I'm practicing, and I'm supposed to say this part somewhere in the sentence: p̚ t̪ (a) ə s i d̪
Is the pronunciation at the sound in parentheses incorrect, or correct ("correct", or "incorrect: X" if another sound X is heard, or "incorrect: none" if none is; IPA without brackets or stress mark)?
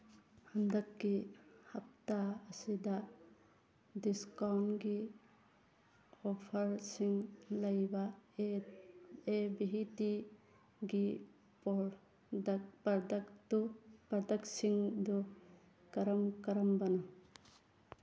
correct